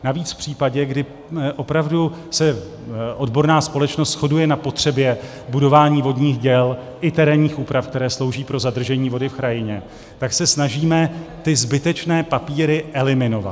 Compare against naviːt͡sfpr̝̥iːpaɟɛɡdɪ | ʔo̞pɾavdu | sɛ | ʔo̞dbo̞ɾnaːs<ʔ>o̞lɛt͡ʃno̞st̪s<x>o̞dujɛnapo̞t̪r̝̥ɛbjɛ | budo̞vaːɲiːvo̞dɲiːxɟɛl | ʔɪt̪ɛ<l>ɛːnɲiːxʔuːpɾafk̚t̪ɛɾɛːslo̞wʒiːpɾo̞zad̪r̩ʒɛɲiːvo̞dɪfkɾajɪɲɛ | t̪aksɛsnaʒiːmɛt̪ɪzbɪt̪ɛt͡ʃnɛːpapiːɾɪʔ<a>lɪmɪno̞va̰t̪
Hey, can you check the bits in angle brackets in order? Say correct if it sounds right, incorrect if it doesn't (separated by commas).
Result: incorrect, correct, incorrect, incorrect